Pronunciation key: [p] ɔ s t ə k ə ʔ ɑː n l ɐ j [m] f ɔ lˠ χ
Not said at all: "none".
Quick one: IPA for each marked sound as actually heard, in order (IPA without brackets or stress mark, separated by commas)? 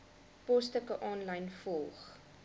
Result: p, n